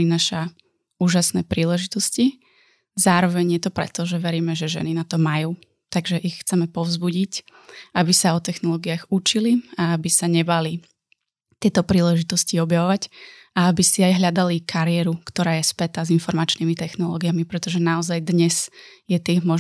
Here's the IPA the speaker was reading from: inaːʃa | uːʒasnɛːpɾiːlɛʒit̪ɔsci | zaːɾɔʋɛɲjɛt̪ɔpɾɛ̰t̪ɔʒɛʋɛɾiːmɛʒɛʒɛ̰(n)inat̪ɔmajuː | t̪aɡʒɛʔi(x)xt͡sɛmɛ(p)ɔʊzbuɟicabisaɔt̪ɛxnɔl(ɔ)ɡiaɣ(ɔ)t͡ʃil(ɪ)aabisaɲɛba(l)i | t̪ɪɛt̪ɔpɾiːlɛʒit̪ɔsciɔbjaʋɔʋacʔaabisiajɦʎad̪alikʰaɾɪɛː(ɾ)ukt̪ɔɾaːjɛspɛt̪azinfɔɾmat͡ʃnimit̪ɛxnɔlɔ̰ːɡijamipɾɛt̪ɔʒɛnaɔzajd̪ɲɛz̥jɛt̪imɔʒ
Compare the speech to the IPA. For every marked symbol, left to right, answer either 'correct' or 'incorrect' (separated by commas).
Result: correct, correct, correct, incorrect, incorrect, incorrect, correct, correct